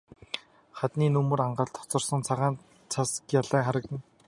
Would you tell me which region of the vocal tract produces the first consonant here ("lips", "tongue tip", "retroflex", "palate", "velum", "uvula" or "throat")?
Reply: uvula